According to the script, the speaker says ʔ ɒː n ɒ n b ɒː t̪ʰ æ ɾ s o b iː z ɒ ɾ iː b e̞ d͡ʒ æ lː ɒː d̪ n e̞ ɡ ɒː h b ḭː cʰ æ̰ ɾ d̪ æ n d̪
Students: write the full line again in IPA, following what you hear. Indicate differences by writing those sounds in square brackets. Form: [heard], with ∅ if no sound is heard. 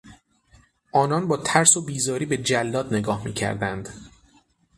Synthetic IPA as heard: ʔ ɒː n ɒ n b ɒː t̪ʰ æ ɾ s o b iː z [ɒː] ɾ iː b e̞ d͡ʒ æ lː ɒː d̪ n e̞ ɡ ɒː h [m] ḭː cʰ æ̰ ɾ d̪ æ n d̪